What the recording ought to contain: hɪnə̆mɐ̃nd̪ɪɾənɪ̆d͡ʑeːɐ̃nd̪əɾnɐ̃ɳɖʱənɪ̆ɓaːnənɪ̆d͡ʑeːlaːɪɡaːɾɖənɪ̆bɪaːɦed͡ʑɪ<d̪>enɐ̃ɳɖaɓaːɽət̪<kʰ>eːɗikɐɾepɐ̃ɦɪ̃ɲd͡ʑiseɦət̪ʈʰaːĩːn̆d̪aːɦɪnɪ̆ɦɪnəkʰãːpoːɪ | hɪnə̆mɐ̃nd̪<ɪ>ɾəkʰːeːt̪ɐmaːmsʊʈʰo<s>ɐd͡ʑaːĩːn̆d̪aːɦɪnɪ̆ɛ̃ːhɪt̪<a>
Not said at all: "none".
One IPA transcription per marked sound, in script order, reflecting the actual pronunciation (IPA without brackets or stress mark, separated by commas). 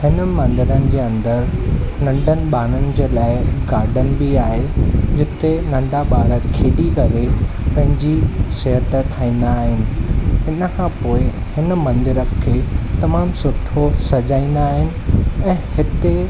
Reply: t̪, kʰ, ɪ, s, e